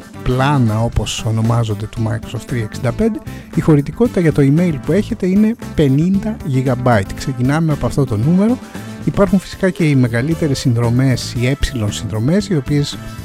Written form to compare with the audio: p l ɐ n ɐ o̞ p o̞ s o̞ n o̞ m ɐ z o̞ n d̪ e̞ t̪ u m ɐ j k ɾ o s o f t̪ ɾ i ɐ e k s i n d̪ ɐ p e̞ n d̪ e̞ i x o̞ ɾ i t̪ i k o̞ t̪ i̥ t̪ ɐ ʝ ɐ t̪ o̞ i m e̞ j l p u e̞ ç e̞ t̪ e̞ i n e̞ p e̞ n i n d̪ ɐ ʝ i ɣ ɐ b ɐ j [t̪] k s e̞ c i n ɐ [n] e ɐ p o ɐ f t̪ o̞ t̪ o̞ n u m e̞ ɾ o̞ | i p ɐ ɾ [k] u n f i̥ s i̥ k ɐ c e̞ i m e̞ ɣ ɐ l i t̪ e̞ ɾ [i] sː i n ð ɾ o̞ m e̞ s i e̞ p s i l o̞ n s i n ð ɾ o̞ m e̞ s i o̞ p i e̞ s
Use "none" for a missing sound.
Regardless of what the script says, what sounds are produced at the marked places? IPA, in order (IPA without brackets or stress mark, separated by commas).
t̪, m, x, e